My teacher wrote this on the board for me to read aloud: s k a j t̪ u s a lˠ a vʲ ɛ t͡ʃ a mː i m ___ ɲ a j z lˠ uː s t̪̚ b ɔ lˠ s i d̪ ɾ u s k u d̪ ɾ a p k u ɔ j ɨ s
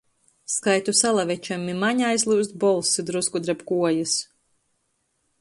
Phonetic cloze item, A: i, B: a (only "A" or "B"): B